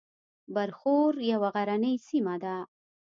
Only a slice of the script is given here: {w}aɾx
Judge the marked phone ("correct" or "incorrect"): incorrect